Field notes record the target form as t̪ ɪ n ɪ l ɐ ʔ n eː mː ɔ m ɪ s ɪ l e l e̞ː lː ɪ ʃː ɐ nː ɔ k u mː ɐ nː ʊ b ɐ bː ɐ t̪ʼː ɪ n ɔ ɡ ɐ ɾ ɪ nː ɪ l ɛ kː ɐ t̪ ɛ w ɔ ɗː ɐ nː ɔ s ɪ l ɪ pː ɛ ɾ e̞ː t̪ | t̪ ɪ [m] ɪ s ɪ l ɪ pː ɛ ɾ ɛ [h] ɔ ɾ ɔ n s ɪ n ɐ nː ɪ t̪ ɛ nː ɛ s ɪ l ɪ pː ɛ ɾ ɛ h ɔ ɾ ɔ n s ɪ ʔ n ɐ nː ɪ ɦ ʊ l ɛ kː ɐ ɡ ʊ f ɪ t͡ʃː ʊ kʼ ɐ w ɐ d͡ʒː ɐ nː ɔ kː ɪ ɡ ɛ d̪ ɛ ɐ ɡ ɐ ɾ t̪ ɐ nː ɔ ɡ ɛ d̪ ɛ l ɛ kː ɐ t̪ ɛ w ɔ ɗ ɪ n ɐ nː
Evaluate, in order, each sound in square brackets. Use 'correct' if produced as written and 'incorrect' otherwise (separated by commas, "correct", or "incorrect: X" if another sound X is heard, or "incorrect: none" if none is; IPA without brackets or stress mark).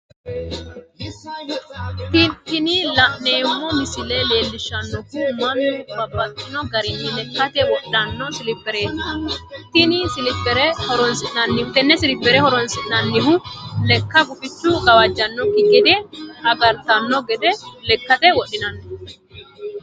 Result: incorrect: n, correct